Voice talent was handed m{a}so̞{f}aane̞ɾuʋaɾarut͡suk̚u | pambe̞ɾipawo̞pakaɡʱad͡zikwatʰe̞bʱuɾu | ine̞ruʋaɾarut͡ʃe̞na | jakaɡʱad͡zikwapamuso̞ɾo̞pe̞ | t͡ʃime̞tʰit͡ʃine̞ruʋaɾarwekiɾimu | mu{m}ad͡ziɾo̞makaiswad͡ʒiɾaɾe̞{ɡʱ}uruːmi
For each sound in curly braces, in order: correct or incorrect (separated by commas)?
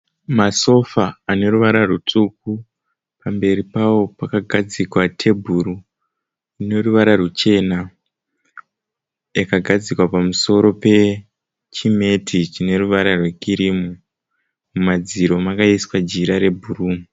correct, correct, correct, incorrect